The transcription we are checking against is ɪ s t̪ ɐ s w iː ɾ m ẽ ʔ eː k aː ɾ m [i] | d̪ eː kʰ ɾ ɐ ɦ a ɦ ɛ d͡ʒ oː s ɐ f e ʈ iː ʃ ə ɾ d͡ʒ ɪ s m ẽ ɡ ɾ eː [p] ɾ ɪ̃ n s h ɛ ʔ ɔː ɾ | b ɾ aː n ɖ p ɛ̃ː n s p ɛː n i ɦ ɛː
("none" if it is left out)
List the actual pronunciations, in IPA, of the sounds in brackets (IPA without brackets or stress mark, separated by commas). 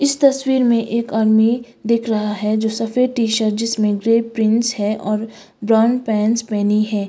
i, p